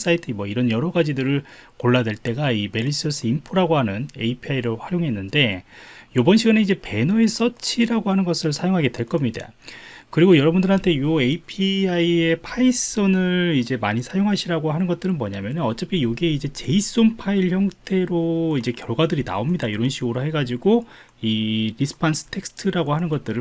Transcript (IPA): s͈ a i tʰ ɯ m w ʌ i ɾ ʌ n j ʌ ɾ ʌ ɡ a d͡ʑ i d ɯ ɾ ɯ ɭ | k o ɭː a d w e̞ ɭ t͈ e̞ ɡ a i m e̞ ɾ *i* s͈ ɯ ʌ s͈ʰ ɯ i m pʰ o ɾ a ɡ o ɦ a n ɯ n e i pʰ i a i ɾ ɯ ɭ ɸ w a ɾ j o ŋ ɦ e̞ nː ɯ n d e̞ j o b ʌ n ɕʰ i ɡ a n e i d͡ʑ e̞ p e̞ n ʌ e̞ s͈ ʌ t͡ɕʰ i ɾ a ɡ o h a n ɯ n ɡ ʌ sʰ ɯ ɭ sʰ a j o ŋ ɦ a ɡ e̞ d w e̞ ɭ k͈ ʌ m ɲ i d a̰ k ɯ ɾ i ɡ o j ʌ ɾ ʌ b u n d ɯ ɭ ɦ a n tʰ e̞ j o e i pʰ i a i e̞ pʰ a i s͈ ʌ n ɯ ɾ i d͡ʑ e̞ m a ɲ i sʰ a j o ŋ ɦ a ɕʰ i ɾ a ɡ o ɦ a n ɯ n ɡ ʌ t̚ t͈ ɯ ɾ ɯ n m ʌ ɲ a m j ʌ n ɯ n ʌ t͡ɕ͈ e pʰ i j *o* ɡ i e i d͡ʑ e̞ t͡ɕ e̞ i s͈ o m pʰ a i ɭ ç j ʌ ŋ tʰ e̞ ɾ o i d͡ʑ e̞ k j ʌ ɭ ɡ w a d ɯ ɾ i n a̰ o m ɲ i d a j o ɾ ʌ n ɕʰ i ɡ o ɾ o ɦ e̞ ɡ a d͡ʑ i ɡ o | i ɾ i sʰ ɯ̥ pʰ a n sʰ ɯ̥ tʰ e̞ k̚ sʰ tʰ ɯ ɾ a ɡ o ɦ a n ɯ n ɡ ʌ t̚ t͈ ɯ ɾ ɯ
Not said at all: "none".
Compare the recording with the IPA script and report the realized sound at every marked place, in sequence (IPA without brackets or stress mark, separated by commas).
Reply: i, o